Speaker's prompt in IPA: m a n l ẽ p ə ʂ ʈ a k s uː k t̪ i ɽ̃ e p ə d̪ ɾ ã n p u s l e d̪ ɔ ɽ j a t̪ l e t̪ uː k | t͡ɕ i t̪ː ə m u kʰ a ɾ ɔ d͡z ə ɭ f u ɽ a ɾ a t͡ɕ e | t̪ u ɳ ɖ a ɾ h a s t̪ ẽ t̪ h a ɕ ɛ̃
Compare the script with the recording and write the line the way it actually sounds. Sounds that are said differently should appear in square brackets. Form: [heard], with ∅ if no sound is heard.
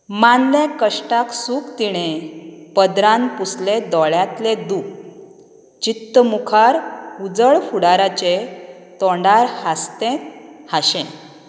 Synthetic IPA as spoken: m a n l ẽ [k] ə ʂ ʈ a k s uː k t̪ i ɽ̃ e p ə d̪ ɾ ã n p u s l e d̪ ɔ [ɭ] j a t̪ l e [d̪] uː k | t͡ɕ i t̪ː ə m u kʰ a ɾ [u] d͡z ə ɭ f u ɽ a ɾ a t͡ɕ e | t̪ [ɔ] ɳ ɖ a ɾ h a s t̪ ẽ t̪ h a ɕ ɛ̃